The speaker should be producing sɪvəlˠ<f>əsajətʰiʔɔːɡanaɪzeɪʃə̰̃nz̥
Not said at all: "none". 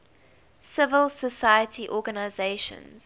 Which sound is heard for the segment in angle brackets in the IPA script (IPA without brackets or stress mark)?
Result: s